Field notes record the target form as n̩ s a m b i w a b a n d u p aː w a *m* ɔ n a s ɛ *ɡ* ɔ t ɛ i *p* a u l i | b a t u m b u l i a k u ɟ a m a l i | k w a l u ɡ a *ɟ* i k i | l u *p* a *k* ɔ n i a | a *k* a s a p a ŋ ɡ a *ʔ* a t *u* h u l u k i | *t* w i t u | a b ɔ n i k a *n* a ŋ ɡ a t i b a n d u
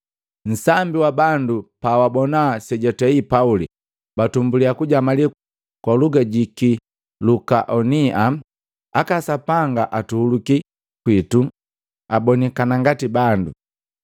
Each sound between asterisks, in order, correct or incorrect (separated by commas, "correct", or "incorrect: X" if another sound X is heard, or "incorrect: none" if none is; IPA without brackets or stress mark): incorrect: b, incorrect: ɟ, correct, correct, incorrect: k, incorrect: ʔ, correct, correct, correct, incorrect: k, correct